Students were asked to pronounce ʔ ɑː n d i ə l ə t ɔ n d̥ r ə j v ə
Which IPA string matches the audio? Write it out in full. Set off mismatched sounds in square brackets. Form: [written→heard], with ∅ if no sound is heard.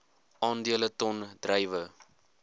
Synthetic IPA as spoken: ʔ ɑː n d i ə l ə t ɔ n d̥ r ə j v ə